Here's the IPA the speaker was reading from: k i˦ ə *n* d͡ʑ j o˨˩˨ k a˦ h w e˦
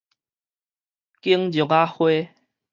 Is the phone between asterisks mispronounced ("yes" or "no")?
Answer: yes